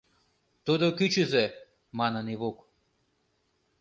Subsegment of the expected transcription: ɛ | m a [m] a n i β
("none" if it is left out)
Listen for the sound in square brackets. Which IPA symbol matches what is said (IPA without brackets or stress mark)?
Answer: n